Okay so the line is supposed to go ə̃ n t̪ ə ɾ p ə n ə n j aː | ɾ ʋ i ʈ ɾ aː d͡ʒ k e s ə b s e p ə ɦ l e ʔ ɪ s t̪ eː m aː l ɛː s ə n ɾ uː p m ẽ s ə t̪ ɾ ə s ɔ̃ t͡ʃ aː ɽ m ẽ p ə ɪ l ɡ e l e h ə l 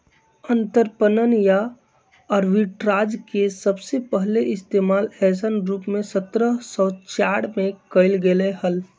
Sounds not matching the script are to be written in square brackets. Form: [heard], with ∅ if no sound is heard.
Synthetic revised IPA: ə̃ n t̪ ə ɾ p ə n ə n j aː | ɾ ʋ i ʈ ɾ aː d͡ʒ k e s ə b s e p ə ɦ l e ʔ ɪ s t̪ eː m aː l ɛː s ə n ɾ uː p m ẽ s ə t̪ ɾ ə s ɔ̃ t͡ʃ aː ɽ m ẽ [k] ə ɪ l ɡ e l e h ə l